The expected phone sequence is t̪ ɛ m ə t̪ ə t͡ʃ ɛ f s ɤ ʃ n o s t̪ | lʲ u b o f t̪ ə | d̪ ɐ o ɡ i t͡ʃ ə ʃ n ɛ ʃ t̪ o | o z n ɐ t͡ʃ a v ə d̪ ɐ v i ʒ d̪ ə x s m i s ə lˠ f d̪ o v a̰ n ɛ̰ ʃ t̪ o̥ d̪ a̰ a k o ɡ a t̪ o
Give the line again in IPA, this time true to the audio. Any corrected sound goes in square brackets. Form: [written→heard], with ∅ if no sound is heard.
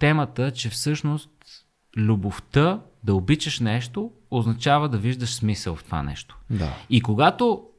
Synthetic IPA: t̪ ɛ m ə t̪ ə t͡ʃ ɛ f s ɤ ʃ n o s t̪ | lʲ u b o f t̪ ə | d̪ ɐ o [ɡ→b] i t͡ʃ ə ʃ n ɛ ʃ t̪ o | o z n ɐ t͡ʃ a v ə d̪ ɐ v i ʒ d̪ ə [x→ʃ] s m i s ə lˠ f [d̪→t̪] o v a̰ n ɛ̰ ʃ t̪ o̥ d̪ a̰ [a→i] k o ɡ a t̪ o